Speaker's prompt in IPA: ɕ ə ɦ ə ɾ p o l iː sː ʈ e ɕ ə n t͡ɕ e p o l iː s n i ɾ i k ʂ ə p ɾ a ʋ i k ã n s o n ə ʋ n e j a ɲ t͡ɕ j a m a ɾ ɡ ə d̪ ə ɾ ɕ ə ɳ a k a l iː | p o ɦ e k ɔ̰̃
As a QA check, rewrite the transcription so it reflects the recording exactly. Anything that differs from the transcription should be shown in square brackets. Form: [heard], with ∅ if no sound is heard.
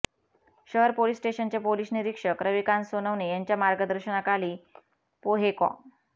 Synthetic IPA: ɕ ə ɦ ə ɾ p o l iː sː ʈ e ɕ ə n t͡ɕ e p o l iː s n i ɾ i k ʂ ə [k] ɾ [ə] ʋ i k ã n s o n ə ʋ n e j a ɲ t͡ɕ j a m a ɾ ɡ ə d̪ ə ɾ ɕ ə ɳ a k a l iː | p o ɦ e k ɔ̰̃